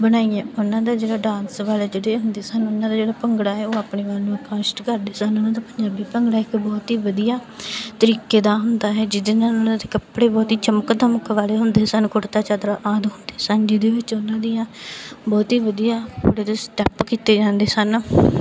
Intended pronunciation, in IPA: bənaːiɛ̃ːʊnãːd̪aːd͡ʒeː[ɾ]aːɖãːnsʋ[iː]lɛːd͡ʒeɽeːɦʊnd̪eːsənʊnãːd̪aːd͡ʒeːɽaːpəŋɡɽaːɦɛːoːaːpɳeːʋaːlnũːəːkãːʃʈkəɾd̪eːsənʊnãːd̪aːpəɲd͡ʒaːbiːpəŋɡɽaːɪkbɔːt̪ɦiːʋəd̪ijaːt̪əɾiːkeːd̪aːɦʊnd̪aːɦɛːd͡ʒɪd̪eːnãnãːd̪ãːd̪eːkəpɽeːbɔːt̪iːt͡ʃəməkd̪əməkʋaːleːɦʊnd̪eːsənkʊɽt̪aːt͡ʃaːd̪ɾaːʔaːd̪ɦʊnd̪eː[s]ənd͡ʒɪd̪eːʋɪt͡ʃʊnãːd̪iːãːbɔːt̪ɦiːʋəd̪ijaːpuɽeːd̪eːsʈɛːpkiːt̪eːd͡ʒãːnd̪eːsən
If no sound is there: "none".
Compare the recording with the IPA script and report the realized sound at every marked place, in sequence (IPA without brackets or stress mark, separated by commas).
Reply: ɽ, aː, s